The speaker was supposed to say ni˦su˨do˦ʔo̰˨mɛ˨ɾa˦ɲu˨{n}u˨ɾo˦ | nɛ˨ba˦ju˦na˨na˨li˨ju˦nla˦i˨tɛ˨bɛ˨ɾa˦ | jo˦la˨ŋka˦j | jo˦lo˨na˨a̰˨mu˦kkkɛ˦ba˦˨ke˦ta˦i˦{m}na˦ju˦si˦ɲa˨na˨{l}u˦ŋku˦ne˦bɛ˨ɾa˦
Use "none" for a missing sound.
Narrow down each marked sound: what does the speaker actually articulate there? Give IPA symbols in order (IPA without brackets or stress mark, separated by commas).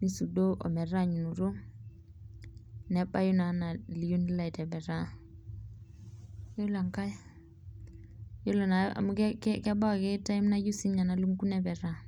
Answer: n, m, l